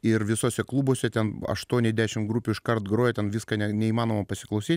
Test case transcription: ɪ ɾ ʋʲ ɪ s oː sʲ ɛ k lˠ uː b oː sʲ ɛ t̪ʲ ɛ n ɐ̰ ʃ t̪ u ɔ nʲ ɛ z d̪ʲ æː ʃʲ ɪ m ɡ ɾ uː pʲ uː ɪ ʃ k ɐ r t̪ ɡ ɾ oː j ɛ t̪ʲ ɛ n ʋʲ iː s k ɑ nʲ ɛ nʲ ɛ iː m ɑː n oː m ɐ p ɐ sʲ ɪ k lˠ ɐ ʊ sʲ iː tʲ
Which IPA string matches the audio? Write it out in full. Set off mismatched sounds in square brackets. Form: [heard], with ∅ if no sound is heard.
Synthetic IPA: ɪ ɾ ʋʲ ɪ s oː sʲ ɛ k lˠ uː b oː sʲ ɛ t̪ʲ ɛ n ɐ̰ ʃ t̪ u ɔ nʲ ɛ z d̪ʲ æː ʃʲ ɪ m ɡ ɾ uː pʲ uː ɪ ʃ k ɐ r t̪ ɡ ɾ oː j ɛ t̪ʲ ɛ n ʋʲ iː s k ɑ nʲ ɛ nʲ ɛ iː m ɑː n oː m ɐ p ɐ sʲ ɪ k lˠ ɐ ʊ sʲ iː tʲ